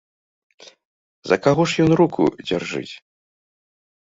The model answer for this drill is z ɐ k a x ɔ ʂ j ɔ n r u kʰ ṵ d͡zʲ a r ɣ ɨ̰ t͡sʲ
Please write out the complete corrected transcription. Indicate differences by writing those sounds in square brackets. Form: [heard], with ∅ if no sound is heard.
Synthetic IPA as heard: z ɐ k a [ɣ] ɔ ʂ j ɔ n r u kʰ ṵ d͡zʲ a r [ʐ] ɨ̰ t͡sʲ